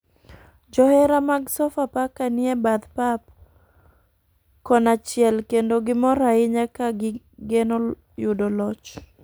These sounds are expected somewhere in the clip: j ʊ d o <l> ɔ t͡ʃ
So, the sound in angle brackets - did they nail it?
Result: yes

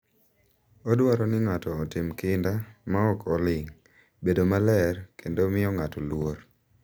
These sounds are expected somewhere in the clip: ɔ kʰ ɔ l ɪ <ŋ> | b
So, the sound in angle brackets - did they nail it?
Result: yes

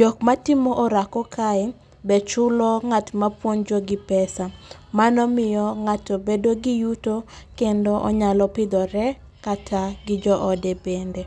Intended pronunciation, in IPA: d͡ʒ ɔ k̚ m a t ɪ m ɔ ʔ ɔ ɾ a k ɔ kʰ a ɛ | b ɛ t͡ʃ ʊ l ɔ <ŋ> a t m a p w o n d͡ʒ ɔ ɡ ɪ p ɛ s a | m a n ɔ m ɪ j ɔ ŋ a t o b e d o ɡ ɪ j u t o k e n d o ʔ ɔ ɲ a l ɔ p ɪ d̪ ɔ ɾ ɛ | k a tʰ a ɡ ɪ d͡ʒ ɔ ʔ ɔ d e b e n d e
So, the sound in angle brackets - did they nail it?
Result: yes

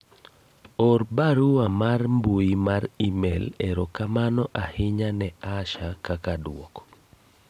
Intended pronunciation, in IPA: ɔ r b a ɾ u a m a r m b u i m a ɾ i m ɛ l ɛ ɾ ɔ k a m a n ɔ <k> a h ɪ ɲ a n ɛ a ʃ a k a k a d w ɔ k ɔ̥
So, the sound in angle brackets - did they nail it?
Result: no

